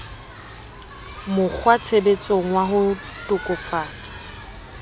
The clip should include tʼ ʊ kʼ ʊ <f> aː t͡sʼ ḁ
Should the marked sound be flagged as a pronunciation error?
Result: no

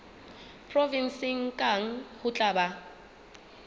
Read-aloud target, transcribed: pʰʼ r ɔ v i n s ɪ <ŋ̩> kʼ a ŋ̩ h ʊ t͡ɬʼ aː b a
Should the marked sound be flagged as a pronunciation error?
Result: no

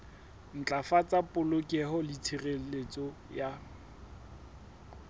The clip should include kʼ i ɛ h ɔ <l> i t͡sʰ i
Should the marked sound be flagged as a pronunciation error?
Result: no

